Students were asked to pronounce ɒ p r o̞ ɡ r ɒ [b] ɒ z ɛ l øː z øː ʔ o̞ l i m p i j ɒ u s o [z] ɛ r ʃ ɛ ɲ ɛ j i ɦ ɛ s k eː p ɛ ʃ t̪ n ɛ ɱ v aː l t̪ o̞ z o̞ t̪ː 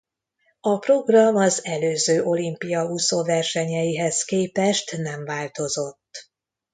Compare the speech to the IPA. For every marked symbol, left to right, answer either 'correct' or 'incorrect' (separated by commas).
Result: incorrect, incorrect